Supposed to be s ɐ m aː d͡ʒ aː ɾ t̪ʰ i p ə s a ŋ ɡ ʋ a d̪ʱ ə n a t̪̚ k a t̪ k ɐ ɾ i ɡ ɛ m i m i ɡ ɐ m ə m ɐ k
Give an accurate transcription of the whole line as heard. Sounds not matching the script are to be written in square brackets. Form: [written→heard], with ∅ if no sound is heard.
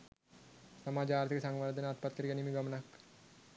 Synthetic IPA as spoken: s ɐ m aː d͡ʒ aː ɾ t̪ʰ i [p→k] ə s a ŋ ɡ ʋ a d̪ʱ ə n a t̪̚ [k→p] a t̪ k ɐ ɾ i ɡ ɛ [m→n] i m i ɡ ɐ m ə [m→n] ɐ k